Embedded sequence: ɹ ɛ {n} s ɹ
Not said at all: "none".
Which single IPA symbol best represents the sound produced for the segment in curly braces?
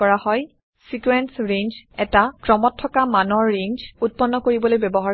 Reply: n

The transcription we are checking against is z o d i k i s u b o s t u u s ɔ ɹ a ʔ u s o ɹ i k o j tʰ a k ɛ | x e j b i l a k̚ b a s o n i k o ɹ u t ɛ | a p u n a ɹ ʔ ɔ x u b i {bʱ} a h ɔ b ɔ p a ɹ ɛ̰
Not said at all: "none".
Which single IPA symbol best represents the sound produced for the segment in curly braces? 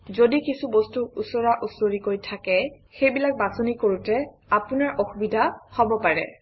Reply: dʱ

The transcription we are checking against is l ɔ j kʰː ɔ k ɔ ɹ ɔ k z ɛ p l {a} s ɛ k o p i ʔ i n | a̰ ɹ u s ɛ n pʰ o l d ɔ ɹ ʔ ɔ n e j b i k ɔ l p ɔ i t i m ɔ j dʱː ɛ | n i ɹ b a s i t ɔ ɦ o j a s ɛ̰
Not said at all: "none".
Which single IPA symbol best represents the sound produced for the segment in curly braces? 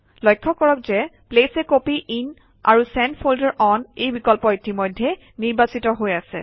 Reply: e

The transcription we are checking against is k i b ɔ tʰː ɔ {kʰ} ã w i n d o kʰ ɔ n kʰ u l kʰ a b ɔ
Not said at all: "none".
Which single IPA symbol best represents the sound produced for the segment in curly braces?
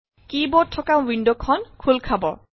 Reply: k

